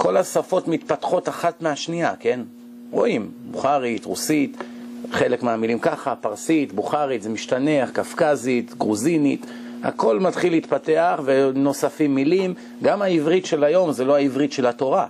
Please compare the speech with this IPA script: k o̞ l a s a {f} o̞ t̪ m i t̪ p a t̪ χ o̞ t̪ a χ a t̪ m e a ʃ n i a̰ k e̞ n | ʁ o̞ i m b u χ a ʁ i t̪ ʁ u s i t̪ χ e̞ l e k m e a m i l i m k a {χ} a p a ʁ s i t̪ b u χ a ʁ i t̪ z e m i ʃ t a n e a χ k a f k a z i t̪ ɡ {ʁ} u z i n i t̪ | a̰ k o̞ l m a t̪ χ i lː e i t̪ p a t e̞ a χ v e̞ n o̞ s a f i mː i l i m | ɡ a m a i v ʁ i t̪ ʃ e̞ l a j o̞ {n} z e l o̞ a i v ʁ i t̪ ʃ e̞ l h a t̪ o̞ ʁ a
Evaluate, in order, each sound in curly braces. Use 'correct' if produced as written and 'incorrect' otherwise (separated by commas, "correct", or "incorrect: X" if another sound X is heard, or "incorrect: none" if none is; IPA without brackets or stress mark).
correct, correct, correct, incorrect: m